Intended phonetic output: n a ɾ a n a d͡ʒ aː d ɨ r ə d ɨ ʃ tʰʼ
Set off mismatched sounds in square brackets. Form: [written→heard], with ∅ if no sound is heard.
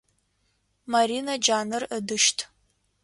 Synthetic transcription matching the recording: [n→m] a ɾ [a→i] n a d͡ʒ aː [d→n] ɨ r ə d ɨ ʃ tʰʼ